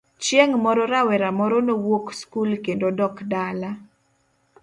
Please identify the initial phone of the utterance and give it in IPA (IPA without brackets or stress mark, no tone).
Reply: t͡ʃ